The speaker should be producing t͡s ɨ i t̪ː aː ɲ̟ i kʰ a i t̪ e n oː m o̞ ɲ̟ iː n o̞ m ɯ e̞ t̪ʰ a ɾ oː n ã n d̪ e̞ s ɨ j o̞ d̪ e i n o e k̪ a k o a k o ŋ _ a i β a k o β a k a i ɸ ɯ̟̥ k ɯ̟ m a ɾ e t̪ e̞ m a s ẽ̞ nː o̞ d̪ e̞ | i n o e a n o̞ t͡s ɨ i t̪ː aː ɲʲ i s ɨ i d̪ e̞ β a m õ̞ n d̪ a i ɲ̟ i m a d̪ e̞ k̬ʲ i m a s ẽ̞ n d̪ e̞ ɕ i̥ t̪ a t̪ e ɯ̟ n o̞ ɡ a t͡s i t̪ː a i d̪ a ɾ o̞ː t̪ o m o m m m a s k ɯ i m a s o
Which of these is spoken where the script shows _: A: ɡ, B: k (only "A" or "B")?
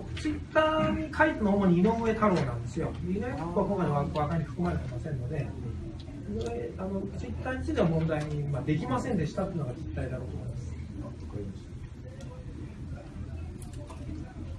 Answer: B